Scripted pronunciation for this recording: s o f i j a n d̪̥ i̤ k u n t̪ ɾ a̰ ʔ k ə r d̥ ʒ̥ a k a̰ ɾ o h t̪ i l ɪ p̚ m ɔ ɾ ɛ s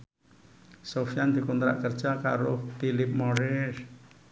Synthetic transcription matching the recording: s o f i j a n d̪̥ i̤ k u n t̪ ɾ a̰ ʔ k ə r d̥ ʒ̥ a k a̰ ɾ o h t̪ i l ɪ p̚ m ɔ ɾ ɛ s